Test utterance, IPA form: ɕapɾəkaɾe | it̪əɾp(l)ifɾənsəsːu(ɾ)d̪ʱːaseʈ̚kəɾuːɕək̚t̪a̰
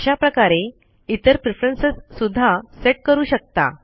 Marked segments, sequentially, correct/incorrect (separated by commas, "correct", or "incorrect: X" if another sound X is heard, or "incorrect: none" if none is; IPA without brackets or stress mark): incorrect: ɾ, incorrect: none